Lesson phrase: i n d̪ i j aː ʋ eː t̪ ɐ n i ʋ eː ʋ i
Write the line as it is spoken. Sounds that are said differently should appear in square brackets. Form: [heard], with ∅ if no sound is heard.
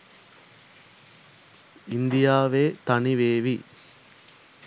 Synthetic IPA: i n d̪ i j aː ʋ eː t̪ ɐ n i ʋ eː ʋ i